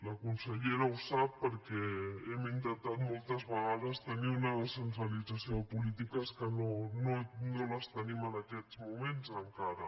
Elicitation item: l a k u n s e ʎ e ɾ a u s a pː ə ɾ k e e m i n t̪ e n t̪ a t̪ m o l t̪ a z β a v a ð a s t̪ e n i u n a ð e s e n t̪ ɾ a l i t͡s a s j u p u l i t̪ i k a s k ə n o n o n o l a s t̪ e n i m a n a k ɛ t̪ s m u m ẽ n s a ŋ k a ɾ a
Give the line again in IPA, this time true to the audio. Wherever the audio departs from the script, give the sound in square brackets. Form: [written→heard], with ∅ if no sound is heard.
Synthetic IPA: l a k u n s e ʎ e ɾ a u s a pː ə ɾ k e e m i n t̪ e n t̪ a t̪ m o l t̪ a z β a [v→ɣ] a ð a s t̪ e n i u n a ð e s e n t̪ ɾ a l i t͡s a s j [u→o] p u l i t̪ i k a s k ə n o n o n o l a s t̪ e n i m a n a k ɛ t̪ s m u m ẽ n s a ŋ k a ɾ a